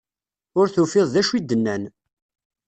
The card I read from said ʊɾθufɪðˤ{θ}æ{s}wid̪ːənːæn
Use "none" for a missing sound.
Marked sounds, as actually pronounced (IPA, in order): ð, ʃ

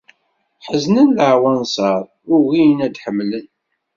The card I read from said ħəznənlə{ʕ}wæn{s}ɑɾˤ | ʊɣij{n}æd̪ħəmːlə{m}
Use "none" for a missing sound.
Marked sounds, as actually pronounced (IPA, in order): ʕ, s, n, n

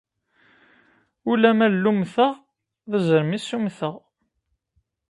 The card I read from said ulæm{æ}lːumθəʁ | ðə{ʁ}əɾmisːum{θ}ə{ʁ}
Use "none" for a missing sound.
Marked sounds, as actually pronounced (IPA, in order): æ, z, θ, ʁ

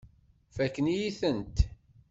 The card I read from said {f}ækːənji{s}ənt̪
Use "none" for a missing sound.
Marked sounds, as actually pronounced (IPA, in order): f, θ

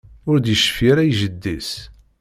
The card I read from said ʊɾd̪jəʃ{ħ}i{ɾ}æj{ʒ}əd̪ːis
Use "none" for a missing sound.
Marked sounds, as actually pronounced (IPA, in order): f, ɾ, ʒ

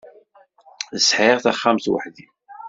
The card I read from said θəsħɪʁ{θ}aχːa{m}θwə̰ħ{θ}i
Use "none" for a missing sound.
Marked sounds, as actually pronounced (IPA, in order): θ, m, ð

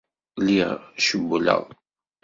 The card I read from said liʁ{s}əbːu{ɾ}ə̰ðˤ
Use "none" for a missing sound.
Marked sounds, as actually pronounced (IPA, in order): ʃ, l

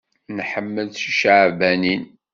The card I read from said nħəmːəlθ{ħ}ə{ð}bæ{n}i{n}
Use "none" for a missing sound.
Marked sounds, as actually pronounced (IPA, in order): ʃ, ʕ, n, n

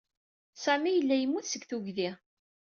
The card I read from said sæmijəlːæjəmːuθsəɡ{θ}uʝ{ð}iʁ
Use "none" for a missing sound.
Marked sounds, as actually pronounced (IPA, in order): θ, ð

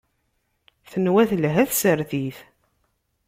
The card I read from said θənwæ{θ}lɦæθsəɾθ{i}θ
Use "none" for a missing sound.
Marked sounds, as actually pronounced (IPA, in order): θ, i

